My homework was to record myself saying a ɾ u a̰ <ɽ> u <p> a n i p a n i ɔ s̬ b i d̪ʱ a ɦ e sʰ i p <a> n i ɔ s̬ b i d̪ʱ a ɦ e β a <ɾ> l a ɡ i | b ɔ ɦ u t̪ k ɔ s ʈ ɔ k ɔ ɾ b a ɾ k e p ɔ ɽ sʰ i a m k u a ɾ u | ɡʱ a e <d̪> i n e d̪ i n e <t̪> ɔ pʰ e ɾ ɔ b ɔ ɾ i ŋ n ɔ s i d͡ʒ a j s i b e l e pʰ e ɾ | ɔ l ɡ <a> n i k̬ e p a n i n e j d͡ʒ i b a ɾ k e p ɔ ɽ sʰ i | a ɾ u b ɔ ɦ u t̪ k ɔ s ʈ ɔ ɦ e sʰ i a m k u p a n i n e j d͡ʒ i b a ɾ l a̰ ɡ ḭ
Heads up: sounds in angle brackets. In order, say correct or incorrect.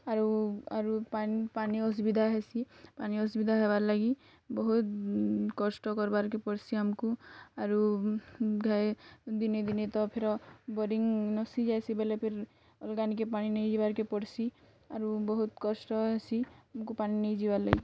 incorrect: ɾ, correct, correct, correct, correct, correct, correct

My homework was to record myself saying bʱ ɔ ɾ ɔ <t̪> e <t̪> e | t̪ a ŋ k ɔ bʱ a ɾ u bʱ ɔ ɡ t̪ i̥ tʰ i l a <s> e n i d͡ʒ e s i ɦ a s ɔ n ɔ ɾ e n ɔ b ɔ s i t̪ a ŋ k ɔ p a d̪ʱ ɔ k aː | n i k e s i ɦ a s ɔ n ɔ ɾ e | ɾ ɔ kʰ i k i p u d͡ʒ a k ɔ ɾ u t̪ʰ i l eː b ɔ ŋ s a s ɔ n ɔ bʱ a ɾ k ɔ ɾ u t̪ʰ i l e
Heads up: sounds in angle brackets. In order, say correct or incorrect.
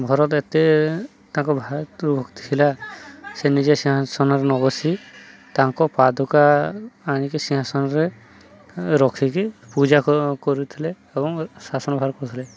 correct, correct, correct

